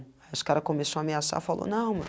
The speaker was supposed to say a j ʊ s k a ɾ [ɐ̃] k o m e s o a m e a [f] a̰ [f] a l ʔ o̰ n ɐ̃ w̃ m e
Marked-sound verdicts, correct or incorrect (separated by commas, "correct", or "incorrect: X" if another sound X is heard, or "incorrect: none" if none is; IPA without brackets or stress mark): incorrect: ɐ, incorrect: s, correct